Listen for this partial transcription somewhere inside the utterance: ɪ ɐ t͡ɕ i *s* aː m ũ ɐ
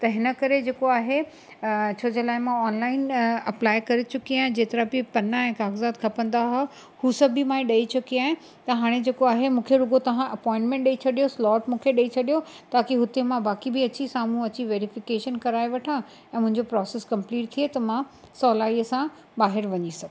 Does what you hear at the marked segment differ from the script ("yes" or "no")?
no